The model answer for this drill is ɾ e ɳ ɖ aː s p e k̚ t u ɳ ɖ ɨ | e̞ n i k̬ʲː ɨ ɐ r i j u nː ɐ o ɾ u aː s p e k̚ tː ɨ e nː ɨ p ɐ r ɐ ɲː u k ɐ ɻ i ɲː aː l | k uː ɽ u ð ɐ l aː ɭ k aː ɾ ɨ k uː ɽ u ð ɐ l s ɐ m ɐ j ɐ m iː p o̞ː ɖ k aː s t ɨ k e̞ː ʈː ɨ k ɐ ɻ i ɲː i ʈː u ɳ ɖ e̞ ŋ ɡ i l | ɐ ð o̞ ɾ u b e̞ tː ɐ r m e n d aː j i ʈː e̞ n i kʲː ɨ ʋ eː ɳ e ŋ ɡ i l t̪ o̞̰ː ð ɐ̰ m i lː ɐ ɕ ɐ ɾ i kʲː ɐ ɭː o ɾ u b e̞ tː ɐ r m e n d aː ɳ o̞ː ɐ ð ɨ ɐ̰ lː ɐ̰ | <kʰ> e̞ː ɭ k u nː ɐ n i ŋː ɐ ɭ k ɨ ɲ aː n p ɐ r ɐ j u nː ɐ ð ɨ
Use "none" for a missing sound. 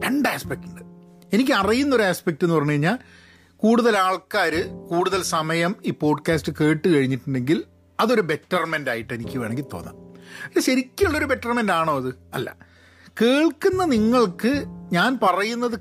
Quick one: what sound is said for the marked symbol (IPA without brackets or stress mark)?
k